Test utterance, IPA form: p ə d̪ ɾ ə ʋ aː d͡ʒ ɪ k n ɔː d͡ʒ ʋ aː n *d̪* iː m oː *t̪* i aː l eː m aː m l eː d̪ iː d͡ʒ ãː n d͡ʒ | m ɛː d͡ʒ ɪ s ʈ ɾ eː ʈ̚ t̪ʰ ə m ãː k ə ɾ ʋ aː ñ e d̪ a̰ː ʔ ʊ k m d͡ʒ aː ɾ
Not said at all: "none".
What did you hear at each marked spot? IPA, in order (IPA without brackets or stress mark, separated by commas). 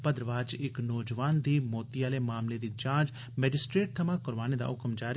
d̪, t̪